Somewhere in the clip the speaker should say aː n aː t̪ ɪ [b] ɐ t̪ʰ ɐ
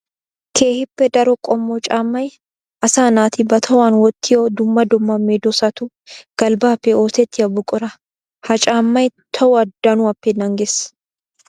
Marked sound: correct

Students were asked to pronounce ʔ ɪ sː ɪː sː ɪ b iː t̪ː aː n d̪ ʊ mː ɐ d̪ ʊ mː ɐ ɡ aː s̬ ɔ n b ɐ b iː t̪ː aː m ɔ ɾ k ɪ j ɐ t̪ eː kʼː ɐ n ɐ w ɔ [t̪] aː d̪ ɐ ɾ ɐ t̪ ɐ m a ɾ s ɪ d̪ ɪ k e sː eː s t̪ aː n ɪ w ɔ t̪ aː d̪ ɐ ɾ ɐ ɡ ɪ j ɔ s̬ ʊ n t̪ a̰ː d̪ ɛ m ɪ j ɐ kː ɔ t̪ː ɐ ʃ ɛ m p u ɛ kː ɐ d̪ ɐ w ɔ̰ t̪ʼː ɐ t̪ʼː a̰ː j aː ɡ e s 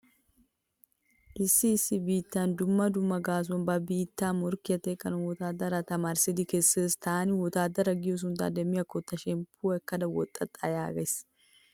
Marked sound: correct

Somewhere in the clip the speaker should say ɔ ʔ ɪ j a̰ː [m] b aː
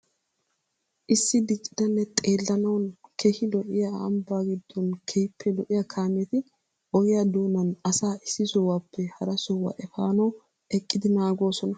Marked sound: correct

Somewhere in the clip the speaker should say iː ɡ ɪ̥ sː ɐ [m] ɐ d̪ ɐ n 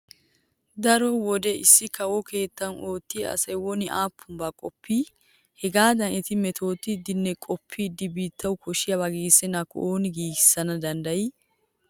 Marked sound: incorrect: n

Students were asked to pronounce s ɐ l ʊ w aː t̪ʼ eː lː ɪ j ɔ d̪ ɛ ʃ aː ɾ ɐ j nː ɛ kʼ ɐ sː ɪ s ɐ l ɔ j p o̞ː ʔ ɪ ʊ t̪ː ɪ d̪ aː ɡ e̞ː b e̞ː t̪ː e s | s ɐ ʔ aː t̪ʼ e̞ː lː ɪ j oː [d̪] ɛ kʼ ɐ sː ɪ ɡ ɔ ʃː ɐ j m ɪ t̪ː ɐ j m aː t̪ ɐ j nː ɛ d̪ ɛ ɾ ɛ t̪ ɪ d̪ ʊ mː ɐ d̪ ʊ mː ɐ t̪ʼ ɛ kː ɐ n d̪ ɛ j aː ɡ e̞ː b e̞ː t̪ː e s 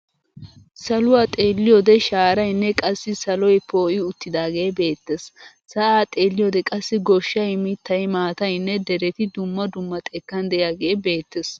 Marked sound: correct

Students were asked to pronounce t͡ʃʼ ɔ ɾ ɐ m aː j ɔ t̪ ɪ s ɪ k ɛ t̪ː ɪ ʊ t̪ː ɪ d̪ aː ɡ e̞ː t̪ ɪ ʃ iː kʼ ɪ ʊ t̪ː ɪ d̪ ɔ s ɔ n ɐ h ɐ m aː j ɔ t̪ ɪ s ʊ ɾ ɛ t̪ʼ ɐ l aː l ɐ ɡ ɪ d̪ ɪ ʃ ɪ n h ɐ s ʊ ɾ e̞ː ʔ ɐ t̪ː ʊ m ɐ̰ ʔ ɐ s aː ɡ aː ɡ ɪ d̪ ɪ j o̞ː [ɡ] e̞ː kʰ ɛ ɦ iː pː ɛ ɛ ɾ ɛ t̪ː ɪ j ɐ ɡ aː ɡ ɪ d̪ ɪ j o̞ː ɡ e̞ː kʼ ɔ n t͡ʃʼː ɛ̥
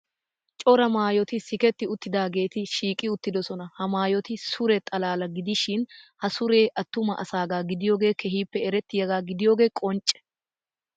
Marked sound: correct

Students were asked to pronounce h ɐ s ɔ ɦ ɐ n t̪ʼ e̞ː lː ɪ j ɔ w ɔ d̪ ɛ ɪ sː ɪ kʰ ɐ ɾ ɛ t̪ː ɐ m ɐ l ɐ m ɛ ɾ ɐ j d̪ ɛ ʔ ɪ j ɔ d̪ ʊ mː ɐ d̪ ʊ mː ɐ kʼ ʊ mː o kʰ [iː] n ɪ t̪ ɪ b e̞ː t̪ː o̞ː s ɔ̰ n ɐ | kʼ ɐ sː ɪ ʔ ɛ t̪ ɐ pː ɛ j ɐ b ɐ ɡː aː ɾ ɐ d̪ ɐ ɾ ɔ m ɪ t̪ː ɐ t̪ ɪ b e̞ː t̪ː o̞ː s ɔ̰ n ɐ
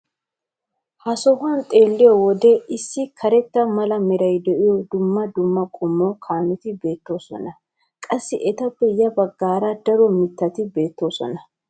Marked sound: incorrect: aː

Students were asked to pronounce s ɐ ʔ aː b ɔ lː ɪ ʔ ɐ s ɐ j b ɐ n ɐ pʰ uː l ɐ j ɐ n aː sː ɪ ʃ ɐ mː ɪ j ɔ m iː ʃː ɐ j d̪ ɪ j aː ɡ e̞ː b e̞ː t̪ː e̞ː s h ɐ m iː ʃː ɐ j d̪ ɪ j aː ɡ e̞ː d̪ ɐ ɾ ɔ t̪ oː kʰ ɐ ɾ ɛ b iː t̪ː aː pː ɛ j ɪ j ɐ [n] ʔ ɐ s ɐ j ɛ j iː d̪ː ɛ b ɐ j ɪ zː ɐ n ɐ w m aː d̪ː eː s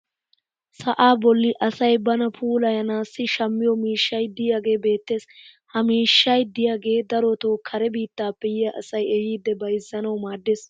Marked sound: incorrect: none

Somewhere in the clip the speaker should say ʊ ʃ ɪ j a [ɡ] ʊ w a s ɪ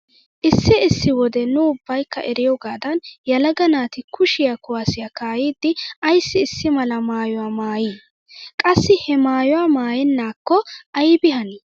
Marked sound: incorrect: k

